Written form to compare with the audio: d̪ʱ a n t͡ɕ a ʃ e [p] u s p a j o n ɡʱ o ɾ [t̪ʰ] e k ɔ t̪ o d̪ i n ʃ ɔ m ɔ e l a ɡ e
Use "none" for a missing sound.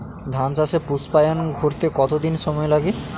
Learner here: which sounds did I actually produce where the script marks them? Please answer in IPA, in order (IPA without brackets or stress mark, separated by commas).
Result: p, t̪